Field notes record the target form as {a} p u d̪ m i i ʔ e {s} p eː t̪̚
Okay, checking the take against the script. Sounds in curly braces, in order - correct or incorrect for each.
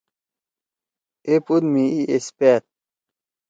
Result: incorrect: e, correct

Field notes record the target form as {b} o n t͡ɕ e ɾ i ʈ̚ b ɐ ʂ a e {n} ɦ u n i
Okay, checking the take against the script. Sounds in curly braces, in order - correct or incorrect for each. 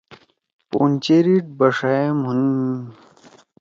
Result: incorrect: p, incorrect: m

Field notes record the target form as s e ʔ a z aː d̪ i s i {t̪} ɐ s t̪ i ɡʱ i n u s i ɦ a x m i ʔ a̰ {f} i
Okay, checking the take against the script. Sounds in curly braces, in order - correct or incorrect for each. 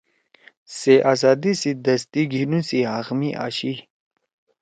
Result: incorrect: d̪, incorrect: ɕ

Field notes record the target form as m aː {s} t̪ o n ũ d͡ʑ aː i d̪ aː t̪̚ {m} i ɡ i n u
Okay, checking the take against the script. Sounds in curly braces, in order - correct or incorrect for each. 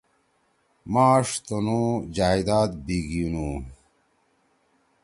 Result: incorrect: ʂ, incorrect: b

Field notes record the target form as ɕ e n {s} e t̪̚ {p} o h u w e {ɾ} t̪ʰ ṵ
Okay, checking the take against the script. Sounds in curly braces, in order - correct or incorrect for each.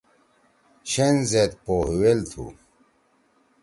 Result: incorrect: z, correct, incorrect: l

